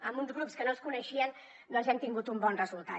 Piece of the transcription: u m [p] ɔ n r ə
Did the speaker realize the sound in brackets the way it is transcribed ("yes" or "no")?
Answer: no